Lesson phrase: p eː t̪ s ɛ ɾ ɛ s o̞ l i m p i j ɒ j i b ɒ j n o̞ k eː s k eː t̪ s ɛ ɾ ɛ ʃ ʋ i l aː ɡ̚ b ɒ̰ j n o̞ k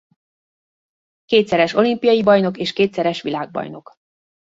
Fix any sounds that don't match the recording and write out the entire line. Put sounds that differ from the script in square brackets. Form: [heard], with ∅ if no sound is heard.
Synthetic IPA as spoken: [k] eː t̪ s ɛ ɾ ɛ [ʃ] o̞ l i m p i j ɒ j i b ɒ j n o̞ k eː [ʃ] k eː t̪ s ɛ ɾ ɛ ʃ ʋ i l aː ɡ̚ b ɒ̰ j n o̞ k